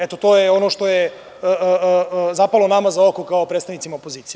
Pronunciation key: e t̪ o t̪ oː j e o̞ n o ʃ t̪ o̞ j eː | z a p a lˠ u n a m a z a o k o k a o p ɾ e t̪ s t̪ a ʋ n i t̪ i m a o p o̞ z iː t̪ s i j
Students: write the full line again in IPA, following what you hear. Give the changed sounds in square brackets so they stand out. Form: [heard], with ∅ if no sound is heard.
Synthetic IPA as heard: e t̪ o t̪ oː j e o̞ n o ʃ t̪ o̞ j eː | z a p a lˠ [o] n a m a z a o k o k a o p ɾ e t̪ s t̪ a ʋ n i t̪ i m a o p o̞ z iː t̪ s i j